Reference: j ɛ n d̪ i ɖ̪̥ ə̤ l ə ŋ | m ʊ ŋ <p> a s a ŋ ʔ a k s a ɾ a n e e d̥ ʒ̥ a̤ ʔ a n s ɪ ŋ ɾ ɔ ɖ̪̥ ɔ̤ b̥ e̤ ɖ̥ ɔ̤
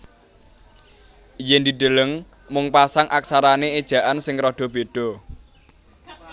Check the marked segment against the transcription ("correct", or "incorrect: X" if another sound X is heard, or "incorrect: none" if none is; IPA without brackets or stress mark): correct